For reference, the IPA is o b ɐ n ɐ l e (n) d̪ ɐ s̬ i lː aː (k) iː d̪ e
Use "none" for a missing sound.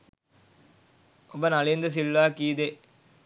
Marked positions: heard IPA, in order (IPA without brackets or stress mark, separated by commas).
n, k